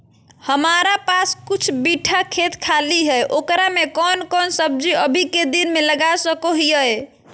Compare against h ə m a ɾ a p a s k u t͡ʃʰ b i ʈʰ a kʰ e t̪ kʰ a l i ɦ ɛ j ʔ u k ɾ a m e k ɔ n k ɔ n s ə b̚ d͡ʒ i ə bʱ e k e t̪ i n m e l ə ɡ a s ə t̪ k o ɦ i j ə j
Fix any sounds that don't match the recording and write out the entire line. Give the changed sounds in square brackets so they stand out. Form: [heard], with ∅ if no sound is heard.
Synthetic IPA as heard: h ə m a ɾ a p a s k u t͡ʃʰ b i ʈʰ a kʰ e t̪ kʰ a l i ɦ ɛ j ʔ [o] k ɾ a m e k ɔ n k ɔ n s ə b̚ d͡ʒ i ə bʱ [i] k e [d̪] i n m e l ə ɡ a s ə [∅] k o ɦ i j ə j